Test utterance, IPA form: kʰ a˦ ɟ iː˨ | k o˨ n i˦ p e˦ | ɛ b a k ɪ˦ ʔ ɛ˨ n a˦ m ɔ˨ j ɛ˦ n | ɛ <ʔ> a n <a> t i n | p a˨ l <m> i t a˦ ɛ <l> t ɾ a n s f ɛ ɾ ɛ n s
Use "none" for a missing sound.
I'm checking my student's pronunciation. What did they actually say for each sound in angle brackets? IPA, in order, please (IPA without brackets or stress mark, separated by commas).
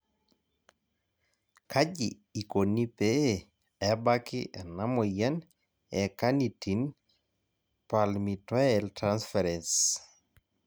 k, i, m, l